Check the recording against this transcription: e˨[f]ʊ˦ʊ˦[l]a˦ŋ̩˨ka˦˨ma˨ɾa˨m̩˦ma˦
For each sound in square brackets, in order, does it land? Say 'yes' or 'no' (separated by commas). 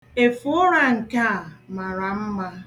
yes, no